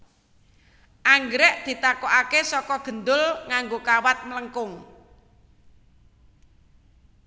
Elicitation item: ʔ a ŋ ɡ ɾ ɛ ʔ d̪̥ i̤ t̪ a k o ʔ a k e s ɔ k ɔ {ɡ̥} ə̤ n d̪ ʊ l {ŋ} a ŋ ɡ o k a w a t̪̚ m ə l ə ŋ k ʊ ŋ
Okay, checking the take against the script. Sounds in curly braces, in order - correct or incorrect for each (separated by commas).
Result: correct, correct